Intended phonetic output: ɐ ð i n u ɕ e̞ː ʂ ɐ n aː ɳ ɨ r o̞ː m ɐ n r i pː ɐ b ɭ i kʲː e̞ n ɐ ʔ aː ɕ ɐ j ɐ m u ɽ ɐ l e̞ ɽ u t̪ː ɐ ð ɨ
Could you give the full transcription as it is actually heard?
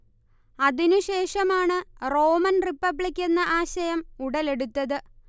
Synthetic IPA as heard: ɐ ð i n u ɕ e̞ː ʂ ɐ m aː ɳ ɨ r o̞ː m ɐ n r i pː ɐ b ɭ i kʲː e̞ nː ɐ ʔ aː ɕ ɐ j ɐ m u ɽ ɐ l e̞ ɽ u t̪ː ɐ ð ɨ